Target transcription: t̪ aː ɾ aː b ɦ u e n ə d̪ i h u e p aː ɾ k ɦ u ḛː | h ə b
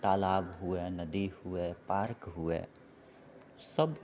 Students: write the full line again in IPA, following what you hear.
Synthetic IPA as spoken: t̪ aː l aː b ɦ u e n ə d̪ i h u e p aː ɾ k ɦ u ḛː | s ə b

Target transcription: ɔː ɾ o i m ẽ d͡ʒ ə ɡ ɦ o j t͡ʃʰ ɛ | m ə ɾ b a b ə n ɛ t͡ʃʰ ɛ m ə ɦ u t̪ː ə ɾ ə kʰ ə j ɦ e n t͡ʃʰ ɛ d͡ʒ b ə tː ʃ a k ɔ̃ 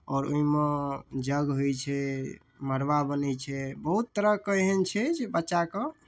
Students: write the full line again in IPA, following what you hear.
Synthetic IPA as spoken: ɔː ɾ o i m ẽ d͡ʒ ə ɡ ɦ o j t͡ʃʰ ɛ | m ə ɾ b a b ə n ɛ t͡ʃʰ ɛ b ə ɦ u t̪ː ə ɾ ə k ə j ɦ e n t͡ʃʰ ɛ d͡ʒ b ə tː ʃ a k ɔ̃

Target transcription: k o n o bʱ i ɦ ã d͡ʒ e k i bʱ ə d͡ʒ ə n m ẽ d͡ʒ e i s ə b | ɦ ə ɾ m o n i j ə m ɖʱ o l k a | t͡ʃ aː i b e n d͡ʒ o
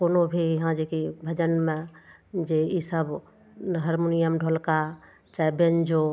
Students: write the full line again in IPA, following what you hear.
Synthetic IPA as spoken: k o n o bʱ i ɦ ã d͡ʒ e k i bʱ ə d͡ʒ ə n m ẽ d͡ʒ e i s ə b | ɦ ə ɾ m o n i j ə m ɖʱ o l k a | t͡ʃ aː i b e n d͡ʒ o

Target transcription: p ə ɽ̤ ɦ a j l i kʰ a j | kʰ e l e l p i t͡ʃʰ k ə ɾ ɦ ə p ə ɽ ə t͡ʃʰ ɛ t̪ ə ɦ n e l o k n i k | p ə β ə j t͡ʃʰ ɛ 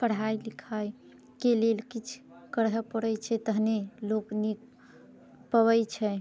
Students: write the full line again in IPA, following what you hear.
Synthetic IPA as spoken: p ə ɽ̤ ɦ a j l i kʰ a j | k e l e l k i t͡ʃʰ k ə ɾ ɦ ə p ə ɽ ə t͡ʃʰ ɛ t̪ ə ɦ n e l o k n i k | p ə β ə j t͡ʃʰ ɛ

